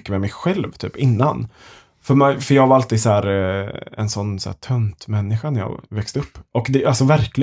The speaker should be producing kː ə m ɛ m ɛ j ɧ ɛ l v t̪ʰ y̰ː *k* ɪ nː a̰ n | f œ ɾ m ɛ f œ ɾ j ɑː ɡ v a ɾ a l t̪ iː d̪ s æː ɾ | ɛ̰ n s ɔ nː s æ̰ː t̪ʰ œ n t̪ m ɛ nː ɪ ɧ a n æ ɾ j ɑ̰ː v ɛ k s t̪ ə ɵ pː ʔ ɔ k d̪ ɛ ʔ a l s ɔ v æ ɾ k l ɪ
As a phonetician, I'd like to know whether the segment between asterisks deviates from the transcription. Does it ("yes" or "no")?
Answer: yes